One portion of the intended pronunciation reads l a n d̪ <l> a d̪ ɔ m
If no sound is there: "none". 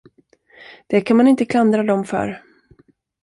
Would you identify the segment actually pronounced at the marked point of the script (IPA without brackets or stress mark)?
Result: ɾ